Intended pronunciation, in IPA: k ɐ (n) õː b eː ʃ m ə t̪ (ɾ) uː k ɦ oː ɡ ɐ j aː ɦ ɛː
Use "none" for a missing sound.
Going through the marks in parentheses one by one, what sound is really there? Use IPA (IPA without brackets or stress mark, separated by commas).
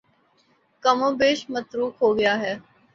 m, ɾ